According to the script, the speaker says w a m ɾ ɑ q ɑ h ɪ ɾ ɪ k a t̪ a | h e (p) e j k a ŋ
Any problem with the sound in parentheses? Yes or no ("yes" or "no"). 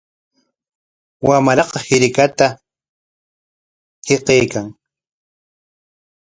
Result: yes